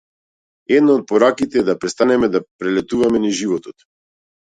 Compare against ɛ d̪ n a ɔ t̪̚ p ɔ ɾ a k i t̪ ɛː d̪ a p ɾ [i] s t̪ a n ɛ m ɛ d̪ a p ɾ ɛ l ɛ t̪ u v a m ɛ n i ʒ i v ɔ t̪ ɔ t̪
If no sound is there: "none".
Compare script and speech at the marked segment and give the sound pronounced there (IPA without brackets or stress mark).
ɛ